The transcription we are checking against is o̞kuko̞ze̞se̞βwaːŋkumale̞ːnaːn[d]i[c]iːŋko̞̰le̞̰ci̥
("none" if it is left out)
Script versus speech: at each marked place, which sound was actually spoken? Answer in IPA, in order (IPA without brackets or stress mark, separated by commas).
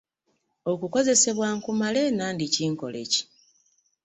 d, c